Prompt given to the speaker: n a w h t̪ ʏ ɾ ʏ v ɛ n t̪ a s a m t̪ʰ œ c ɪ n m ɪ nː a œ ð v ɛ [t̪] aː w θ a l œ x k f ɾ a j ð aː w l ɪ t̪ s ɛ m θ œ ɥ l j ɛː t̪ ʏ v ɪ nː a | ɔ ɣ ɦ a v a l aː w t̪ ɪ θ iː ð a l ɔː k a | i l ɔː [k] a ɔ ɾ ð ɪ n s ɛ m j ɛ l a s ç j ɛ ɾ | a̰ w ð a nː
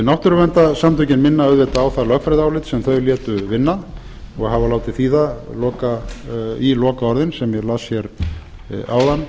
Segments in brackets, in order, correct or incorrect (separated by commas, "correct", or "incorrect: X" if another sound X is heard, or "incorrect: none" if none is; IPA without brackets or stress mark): correct, correct